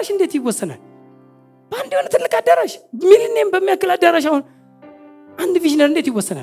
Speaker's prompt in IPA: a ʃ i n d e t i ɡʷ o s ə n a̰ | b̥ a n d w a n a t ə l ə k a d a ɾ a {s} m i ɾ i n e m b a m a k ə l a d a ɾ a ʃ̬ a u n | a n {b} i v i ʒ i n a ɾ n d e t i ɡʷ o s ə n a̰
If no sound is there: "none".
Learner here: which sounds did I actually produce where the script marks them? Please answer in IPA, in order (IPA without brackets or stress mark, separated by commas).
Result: ʃ, d